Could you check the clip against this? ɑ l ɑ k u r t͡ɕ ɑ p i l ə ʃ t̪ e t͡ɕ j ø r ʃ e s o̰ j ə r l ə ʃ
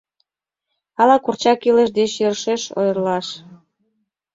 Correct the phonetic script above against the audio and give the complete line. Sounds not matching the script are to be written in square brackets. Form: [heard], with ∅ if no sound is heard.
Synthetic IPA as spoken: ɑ l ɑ k u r t͡ɕ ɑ [k] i l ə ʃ [d̪] e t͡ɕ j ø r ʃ e [ʃ] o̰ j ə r l [ɑ] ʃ